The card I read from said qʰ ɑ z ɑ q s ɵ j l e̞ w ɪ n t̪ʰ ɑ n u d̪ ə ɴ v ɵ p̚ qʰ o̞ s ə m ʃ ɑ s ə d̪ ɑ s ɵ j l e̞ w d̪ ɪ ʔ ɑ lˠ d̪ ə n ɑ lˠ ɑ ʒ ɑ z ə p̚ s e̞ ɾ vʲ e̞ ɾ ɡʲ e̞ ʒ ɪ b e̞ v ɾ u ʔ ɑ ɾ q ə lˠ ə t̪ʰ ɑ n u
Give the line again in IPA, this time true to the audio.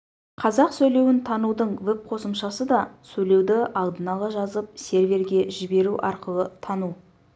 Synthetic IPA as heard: qʰ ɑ z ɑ q s ɵ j l e̞ w ɪ n t̪ʰ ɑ n u d̪ ə ɴ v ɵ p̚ qʰ o̞ s ə m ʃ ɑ s ə d̪ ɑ s ɵ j l e̞ w d̪ ɪ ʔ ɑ lˠ d̪ ə n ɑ lˠ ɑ ʒ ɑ z ə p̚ s e̞ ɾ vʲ e̞ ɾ ɡʲ e̞ ʒ ɪ b e̞ ɾ u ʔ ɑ ɾ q ə lˠ ə t̪ʰ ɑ n u